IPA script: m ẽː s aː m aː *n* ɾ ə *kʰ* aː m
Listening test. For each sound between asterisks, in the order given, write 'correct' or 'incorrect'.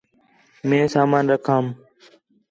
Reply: correct, correct

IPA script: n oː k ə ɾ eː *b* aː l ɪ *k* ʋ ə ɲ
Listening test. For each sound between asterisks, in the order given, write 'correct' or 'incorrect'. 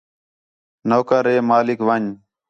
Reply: incorrect: m, correct

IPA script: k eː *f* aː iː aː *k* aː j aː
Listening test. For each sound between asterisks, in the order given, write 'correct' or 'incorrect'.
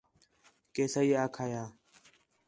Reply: incorrect: s, incorrect: kʰ

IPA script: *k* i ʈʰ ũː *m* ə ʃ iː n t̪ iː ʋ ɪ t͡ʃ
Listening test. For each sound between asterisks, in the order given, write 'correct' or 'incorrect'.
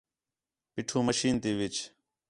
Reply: incorrect: p, correct

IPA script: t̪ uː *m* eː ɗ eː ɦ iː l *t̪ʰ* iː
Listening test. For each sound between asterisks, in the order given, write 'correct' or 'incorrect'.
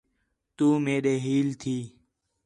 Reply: correct, correct

